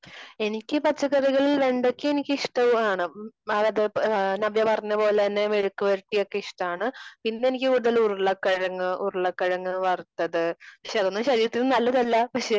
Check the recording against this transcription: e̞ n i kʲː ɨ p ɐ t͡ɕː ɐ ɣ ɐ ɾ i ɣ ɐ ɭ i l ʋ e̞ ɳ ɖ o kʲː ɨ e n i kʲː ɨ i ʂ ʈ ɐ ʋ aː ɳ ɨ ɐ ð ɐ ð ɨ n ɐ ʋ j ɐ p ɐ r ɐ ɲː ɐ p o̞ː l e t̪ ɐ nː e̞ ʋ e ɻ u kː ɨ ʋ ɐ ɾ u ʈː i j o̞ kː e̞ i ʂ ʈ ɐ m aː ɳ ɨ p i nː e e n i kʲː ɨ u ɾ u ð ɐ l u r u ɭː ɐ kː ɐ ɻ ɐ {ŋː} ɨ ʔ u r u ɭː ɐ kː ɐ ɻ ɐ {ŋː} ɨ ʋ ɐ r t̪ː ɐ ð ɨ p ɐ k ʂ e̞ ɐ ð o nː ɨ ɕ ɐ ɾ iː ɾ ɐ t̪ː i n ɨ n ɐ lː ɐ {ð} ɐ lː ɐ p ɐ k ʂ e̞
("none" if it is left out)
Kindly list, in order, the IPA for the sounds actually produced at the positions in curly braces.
ŋː, ŋː, ð

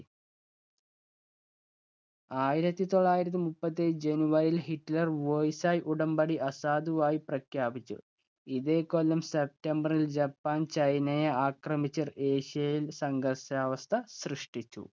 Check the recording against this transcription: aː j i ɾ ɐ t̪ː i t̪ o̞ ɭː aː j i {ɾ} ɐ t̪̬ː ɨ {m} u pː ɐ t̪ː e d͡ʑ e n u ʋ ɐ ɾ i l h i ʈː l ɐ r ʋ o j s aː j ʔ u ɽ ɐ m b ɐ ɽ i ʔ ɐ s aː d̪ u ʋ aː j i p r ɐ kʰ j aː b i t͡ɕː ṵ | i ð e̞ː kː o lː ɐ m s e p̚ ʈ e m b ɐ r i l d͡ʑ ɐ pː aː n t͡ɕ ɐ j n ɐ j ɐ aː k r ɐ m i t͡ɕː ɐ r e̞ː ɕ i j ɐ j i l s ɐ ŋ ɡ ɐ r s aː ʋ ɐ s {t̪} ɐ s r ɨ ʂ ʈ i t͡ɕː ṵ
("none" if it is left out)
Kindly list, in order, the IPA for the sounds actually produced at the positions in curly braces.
ɾ, m, t̪ʰ

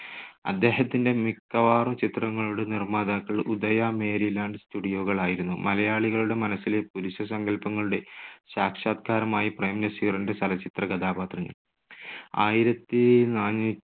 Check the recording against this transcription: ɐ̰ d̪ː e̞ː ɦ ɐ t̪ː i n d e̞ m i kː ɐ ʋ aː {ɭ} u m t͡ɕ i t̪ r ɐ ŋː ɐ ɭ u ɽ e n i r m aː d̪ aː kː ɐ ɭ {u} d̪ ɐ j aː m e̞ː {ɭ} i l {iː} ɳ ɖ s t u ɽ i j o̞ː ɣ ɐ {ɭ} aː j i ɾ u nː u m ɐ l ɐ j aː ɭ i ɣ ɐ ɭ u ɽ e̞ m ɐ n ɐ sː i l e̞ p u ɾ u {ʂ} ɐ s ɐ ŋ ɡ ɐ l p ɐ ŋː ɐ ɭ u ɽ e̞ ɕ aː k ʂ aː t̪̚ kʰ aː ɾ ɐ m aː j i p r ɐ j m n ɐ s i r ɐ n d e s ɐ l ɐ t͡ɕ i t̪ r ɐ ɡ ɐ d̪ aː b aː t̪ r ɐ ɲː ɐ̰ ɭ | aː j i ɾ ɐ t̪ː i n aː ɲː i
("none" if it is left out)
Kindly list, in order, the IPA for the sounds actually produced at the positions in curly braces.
r, u, ɾ, aː, ɭ, ɕ

